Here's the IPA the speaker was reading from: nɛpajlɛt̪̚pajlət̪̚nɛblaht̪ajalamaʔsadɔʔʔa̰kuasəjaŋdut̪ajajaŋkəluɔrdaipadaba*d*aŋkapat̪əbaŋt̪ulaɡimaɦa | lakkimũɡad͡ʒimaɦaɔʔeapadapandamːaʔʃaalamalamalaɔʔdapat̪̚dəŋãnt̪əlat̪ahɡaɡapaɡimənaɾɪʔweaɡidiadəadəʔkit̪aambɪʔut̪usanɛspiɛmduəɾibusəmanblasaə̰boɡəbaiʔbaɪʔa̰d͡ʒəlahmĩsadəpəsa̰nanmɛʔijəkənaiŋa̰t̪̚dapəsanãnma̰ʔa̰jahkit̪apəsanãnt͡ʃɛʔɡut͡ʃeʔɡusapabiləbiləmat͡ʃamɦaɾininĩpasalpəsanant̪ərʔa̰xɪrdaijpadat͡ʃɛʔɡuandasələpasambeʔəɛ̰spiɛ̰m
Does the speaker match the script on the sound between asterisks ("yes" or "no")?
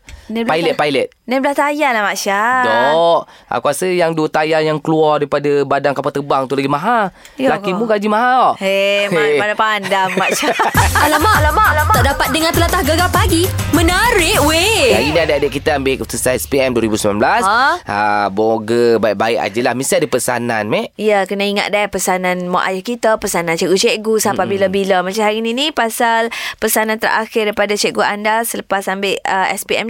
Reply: yes